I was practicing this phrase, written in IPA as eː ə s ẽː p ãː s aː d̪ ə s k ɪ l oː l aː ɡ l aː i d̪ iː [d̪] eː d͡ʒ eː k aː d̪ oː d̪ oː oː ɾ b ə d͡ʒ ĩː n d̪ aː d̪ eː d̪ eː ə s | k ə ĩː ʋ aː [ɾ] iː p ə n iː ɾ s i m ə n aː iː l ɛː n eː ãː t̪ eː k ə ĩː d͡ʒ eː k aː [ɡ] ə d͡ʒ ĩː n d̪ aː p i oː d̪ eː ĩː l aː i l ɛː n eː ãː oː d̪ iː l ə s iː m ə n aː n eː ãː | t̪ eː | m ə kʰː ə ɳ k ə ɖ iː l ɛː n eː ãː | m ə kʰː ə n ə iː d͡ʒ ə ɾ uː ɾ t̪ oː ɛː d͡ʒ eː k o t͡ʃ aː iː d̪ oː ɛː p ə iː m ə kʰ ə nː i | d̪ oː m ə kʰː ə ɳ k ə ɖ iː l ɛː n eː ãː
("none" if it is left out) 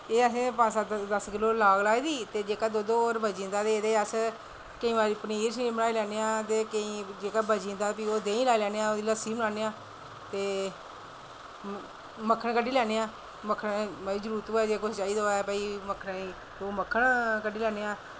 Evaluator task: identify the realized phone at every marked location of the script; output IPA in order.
t̪, ɾ, b

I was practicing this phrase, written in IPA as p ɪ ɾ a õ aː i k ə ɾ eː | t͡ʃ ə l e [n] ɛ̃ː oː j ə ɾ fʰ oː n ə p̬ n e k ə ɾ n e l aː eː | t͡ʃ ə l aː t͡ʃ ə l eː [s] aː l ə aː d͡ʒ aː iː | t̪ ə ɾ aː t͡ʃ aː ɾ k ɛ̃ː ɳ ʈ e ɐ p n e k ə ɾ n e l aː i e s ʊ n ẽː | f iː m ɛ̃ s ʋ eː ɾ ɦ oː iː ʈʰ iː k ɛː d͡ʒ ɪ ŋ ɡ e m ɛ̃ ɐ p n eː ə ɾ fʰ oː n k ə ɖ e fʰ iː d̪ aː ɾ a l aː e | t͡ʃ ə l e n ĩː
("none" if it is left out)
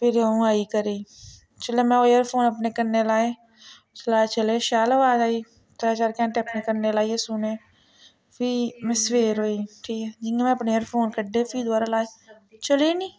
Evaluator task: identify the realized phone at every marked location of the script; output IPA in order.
m, ʃ

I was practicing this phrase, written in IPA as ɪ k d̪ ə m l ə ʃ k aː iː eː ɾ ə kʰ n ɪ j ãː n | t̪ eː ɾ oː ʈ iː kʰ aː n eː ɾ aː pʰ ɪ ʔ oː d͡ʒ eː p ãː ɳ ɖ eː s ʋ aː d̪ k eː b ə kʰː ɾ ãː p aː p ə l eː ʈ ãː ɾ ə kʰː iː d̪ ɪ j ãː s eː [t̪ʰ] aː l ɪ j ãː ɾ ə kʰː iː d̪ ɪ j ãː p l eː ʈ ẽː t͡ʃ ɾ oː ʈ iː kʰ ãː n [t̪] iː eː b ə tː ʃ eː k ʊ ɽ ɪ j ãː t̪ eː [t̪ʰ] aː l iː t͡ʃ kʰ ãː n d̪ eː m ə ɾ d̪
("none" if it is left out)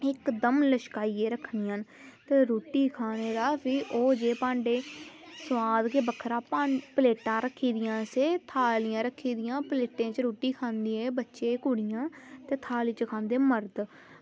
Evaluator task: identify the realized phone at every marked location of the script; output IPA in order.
t̪ʰ, d̪, t̪ʰ

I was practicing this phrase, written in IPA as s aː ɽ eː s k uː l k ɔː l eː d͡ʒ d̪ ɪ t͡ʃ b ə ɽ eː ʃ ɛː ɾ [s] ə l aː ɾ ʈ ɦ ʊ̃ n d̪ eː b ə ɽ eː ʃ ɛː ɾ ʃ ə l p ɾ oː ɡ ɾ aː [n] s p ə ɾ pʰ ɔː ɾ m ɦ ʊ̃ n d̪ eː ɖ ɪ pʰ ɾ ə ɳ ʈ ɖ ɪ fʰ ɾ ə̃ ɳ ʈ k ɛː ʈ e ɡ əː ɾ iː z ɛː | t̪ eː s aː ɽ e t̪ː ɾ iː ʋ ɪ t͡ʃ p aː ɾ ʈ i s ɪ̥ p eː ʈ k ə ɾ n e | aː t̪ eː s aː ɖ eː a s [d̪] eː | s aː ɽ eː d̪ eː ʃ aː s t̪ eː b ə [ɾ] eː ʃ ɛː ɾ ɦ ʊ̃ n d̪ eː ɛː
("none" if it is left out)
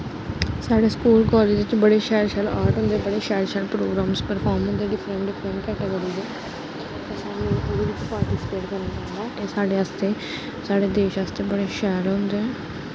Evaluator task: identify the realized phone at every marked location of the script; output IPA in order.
ʃ, m, t̪, ɽ

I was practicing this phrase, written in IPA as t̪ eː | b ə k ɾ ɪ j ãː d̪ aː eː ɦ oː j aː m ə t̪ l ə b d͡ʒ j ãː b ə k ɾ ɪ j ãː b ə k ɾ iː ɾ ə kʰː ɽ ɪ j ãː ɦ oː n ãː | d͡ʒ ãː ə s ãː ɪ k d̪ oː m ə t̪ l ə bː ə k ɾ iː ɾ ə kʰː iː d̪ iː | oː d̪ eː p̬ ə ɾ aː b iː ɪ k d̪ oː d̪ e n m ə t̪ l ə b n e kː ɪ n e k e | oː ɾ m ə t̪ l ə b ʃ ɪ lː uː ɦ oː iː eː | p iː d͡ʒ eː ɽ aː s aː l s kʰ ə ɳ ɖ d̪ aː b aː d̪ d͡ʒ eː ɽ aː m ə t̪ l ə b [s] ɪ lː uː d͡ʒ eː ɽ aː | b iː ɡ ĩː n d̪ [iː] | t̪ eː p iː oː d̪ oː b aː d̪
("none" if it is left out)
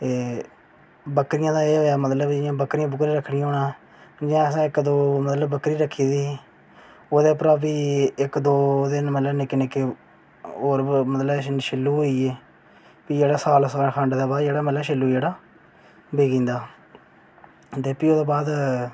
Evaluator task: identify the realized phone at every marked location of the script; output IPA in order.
ʃ, aː

